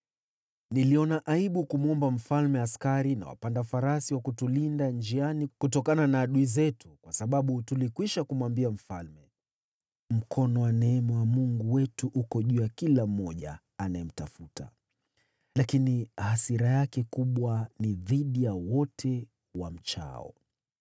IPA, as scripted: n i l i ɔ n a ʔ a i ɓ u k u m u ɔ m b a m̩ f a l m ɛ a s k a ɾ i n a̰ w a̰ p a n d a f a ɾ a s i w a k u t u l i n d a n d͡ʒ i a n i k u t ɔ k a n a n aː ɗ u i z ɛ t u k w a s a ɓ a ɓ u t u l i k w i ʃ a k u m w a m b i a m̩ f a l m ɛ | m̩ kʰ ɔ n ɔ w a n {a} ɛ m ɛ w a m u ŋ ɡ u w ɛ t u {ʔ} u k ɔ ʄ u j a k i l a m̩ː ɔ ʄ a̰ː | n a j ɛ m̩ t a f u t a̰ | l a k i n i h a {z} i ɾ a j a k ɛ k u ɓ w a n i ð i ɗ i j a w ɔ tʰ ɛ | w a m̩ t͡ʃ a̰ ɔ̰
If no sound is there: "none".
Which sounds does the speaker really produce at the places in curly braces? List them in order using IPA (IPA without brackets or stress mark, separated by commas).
ɛ, ʔ, s